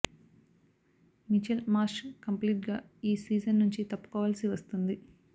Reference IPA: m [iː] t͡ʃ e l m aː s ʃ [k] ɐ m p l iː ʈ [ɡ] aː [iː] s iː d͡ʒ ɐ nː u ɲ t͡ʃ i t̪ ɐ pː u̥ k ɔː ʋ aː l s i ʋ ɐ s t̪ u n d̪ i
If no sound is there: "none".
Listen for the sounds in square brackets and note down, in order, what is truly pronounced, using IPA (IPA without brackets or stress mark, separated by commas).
i, k, ɡ, iː